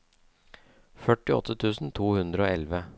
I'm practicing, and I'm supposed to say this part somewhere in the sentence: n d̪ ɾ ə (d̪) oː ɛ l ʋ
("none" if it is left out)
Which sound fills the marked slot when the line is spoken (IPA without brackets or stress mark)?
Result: none